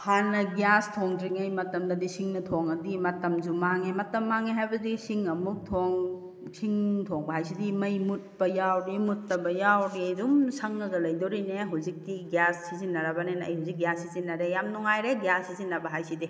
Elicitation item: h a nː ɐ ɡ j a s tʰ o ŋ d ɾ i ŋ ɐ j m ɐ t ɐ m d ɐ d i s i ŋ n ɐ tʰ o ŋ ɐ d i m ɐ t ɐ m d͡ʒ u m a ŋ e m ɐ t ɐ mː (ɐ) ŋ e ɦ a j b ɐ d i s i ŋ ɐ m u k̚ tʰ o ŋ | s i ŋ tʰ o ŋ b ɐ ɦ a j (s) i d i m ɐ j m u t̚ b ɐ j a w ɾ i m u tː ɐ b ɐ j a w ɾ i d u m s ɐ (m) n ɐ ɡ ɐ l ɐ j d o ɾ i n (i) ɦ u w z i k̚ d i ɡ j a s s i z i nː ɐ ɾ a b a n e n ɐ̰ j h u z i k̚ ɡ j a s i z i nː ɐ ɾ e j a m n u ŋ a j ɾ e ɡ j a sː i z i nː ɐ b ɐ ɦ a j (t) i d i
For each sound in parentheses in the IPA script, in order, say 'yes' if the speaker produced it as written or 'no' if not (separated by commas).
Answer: no, yes, no, no, no